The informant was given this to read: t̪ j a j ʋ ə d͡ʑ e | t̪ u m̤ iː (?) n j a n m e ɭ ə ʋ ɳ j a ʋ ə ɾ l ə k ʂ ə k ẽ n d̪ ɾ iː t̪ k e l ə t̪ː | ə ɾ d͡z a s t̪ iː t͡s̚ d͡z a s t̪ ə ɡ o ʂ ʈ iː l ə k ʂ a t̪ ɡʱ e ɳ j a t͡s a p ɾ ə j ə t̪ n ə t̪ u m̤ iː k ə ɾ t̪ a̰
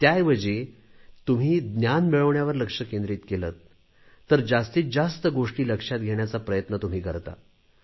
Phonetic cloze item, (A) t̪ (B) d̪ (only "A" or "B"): B